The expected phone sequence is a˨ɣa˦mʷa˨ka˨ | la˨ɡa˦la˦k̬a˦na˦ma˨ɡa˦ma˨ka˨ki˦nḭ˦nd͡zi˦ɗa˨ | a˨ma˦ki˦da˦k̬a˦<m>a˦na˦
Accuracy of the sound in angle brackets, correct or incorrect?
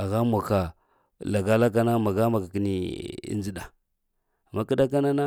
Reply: incorrect